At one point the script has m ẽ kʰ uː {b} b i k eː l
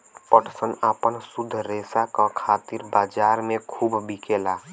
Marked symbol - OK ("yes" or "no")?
yes